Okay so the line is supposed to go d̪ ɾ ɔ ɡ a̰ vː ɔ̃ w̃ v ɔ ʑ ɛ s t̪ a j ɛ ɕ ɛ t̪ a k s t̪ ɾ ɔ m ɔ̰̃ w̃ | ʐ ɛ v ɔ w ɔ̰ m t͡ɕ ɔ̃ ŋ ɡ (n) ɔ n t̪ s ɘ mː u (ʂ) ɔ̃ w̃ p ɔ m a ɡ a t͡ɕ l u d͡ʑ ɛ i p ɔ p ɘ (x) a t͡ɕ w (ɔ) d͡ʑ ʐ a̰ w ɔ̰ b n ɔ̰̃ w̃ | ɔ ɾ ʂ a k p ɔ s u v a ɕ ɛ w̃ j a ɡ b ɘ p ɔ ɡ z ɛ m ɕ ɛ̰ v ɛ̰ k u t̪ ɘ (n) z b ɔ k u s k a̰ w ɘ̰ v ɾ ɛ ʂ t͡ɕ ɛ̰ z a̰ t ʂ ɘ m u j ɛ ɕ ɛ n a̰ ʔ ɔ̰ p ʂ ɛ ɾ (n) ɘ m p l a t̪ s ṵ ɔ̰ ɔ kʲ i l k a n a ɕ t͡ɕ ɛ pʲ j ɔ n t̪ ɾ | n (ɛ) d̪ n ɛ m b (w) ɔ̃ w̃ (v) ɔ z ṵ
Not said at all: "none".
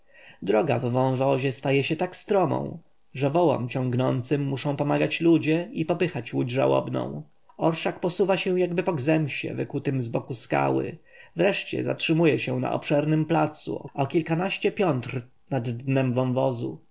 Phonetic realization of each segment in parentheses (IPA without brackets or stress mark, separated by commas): n, ʂ, x, u, m, n, a, v, v